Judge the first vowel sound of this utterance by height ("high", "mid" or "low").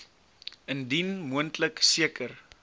mid